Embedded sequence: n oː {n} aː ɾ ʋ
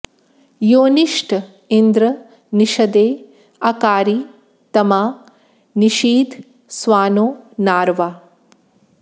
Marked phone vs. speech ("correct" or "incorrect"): correct